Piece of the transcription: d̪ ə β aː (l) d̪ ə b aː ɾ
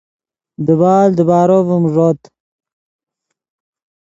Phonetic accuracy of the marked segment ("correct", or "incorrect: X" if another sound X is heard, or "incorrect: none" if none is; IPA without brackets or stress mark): correct